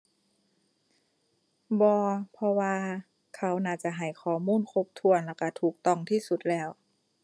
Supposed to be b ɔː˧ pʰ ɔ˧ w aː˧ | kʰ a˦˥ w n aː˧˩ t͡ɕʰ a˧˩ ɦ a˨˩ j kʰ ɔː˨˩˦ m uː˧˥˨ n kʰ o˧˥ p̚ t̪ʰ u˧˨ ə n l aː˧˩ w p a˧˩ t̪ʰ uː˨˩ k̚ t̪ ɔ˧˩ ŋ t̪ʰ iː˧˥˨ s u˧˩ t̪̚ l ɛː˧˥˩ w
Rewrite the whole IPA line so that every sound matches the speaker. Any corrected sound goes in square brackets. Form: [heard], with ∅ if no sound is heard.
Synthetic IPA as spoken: b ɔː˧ pʰ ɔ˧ w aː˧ | kʰ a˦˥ w n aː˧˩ [t͡ɕ] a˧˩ ɦ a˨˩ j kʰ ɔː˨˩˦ m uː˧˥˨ n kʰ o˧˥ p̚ t̪ʰ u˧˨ ə n l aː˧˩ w [k] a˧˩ t̪ʰ uː˨˩ k̚ t̪ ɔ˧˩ ŋ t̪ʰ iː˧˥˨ s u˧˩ t̪̚ l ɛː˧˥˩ w

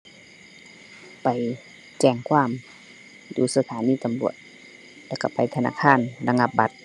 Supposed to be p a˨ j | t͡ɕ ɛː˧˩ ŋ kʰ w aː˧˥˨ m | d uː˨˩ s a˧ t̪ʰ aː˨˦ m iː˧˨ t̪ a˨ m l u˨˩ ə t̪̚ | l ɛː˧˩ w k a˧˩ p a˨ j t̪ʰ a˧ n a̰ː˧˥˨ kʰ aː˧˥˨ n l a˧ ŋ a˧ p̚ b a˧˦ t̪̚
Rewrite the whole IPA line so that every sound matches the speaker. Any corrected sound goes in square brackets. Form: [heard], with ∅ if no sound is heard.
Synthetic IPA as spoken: p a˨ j | t͡ɕ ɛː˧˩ ŋ kʰ w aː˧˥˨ m | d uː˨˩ s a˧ t̪ʰ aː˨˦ [n] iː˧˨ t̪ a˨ m l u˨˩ ə t̪̚ | l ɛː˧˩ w k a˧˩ p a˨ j t̪ʰ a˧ n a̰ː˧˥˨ kʰ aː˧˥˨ n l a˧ ŋ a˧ p̚ b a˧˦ t̪̚

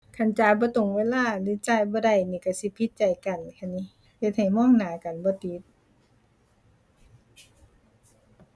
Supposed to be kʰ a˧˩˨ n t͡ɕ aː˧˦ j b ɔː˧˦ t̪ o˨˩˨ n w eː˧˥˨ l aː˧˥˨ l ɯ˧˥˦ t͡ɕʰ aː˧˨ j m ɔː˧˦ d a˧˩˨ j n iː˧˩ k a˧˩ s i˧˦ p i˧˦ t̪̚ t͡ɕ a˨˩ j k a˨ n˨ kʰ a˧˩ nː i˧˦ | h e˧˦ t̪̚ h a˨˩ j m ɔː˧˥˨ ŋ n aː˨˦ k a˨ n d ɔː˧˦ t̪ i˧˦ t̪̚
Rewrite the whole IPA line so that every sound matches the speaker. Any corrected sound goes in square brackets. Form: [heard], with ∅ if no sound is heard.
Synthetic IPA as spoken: kʰ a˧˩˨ n t͡ɕ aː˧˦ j b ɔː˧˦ t̪ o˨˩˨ [ŋ] w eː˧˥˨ l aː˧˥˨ l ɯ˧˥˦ [t͡ɕ] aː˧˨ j [b] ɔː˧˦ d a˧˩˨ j n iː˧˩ k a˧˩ s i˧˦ [pʰ] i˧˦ t̪̚ t͡ɕ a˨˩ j k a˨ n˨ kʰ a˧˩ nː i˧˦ | h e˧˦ t̪̚ h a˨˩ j m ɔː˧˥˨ ŋ n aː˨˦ k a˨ n [b] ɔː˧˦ t̪ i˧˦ t̪̚

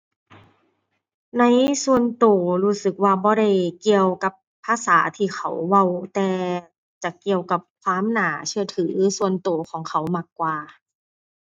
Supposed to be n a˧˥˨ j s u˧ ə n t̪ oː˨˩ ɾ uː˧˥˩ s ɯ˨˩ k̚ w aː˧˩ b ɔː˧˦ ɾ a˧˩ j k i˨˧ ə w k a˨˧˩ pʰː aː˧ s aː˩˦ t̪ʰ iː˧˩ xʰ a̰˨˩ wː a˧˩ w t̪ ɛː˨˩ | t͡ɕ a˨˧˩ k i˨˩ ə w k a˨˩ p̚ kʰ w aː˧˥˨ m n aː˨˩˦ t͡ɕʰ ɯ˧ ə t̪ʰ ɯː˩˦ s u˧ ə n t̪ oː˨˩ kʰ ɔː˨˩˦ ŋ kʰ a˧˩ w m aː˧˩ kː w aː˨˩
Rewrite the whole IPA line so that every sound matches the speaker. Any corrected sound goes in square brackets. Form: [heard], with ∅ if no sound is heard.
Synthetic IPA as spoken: n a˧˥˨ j s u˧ ə n t̪ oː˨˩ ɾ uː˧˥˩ s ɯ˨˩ k̚ w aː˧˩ b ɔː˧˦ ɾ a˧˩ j k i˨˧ ə w k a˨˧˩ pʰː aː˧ s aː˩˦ t̪ʰ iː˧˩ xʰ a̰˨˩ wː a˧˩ w t̪ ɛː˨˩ | t͡ɕ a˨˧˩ k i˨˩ ə w k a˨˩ p̚ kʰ w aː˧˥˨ m n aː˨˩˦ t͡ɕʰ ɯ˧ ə t̪ʰ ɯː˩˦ s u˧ ə n t̪ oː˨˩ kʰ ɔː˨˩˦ ŋ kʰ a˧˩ w m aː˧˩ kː w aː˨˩

